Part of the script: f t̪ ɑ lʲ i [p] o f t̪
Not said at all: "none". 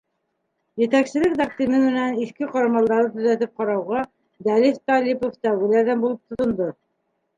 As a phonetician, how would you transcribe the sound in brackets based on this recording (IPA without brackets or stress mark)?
p